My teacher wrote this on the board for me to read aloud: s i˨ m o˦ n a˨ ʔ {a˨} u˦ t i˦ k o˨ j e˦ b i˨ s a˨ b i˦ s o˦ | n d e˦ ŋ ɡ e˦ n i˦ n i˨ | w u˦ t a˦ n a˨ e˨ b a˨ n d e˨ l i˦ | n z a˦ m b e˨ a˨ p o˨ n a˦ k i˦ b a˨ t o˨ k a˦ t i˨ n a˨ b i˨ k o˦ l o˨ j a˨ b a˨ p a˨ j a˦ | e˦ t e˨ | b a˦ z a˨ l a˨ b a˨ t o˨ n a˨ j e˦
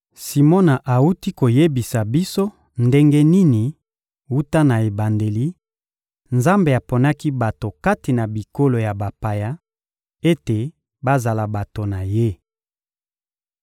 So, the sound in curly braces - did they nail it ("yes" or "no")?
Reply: yes